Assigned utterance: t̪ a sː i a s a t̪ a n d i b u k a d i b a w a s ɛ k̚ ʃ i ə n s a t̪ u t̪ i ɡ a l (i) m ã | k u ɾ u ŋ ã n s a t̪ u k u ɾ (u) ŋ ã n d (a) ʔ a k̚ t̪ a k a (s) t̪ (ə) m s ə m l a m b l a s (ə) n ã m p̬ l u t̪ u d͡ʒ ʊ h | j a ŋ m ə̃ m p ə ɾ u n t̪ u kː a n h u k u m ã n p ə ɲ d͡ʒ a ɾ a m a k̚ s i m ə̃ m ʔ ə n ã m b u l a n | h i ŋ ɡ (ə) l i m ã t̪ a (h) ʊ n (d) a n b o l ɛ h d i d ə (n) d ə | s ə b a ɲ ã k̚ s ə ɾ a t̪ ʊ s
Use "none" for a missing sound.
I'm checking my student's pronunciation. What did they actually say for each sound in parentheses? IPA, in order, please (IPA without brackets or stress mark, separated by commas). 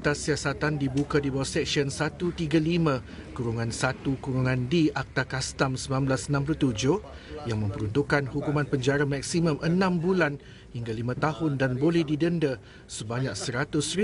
i, u, i, s, a, ə, a, h, d, n